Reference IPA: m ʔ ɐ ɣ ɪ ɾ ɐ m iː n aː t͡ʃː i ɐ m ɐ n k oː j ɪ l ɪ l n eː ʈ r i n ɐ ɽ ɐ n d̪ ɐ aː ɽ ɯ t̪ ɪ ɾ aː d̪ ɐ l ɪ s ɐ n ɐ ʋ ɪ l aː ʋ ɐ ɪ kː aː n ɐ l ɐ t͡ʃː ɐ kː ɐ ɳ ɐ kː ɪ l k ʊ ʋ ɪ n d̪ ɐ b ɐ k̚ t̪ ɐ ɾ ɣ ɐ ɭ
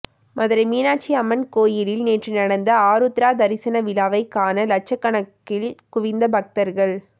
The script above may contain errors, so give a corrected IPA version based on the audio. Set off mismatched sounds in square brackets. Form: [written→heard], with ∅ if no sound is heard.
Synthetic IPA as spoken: m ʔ ɐ [ɣ→ð] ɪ ɾ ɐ m iː n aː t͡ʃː i ɐ m ɐ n k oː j ɪ l ɪ l n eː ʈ r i n ɐ ɽ ɐ n d̪ ɐ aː [ɽ→ɾ] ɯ t̪ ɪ ɾ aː d̪ ɐ [l→ɾ] ɪ s ɐ n ɐ ʋ ɪ l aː ʋ ɐ ɪ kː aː n ɐ l ɐ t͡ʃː ɐ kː ɐ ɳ ɐ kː ɪ l k ʊ ʋ ɪ n d̪ ɐ b ɐ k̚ t̪ ɐ ɾ ɣ ɐ ɭ